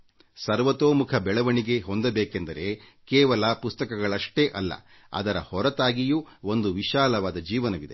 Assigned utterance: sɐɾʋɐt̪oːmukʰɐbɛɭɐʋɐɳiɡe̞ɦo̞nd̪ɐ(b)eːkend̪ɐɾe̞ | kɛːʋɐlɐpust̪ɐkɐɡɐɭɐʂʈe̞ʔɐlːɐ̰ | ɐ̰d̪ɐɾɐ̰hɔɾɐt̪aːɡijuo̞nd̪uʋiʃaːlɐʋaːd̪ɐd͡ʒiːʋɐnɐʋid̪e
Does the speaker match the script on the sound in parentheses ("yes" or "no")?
yes